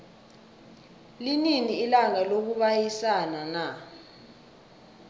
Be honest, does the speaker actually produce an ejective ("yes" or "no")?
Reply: no